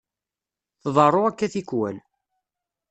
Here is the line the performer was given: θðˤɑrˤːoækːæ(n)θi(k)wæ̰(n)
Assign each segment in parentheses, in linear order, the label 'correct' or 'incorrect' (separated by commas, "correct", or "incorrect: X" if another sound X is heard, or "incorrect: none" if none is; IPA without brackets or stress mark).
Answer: incorrect: none, correct, correct